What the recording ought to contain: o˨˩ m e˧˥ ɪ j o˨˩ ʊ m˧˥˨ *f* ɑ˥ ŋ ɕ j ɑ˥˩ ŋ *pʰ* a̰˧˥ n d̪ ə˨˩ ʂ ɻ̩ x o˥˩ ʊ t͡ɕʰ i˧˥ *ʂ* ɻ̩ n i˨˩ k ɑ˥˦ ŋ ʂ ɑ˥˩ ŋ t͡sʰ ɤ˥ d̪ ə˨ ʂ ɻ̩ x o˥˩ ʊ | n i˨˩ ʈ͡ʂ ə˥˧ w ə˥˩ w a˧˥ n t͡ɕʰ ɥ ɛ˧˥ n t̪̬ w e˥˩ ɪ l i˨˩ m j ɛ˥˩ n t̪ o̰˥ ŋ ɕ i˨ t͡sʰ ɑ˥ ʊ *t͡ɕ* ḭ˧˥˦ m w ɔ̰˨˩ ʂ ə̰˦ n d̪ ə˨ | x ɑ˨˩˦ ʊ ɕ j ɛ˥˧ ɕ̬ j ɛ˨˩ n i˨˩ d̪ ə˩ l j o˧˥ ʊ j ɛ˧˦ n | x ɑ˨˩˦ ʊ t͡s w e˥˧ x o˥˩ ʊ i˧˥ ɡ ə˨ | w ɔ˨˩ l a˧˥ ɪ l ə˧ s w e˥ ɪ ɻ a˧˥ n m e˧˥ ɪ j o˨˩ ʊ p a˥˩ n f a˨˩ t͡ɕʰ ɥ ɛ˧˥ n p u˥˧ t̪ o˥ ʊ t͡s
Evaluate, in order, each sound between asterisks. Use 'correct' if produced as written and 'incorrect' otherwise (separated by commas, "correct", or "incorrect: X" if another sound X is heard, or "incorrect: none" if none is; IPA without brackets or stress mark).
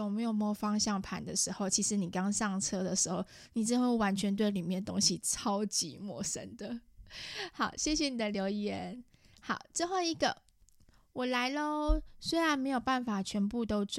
correct, correct, correct, correct